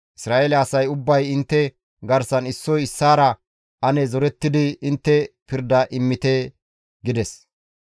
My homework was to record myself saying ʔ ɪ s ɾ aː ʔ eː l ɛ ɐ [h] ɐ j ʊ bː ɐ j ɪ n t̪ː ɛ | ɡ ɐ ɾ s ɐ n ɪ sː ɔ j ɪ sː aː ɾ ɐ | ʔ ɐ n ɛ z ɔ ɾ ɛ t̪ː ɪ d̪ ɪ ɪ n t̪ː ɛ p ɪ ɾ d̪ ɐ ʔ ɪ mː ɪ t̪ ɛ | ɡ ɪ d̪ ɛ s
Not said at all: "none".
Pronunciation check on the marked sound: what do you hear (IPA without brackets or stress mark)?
s